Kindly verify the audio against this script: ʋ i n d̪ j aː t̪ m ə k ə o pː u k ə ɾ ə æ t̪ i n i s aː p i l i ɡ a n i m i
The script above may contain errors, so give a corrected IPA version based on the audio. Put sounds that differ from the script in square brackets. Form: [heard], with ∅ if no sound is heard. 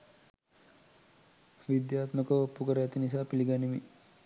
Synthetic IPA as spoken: ʋ i [∅] d̪ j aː t̪ m ə k ə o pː u k ə ɾ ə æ t̪ i n i s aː p i l i ɡ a n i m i